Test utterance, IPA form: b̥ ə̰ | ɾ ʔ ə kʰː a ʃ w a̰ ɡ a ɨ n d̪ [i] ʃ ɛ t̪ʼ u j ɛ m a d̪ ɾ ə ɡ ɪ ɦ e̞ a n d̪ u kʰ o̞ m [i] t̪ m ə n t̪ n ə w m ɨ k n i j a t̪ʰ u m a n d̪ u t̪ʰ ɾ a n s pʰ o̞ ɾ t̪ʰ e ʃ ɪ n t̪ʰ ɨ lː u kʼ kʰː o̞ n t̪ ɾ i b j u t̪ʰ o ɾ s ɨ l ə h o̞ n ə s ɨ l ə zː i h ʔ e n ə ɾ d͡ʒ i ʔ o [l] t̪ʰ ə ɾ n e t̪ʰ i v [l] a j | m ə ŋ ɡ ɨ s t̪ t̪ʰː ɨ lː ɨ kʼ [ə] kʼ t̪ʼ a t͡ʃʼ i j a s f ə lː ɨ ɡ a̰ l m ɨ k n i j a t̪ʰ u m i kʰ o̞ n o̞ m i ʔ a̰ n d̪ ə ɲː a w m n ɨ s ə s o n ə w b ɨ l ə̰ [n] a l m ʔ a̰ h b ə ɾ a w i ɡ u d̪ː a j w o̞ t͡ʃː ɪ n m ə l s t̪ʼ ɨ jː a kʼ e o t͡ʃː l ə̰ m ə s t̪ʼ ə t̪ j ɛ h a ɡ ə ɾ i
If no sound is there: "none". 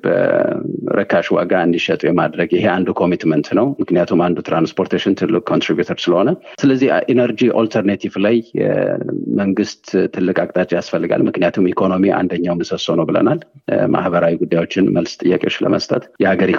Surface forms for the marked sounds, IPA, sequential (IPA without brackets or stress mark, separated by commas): i, i, l, l, a, n